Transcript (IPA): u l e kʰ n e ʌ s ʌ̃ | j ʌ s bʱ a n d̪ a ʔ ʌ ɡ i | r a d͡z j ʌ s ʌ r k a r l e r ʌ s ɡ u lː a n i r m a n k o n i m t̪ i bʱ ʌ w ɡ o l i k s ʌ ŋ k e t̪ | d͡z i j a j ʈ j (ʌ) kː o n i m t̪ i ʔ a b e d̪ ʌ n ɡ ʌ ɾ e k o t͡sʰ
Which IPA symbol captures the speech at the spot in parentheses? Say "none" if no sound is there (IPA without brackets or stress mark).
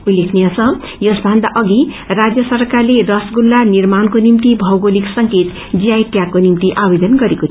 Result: a